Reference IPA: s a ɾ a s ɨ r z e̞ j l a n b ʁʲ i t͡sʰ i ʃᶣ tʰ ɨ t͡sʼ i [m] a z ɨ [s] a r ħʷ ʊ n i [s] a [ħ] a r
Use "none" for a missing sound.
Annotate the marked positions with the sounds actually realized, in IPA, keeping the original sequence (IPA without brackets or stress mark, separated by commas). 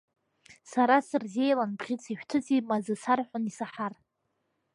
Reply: m, s, s, ħ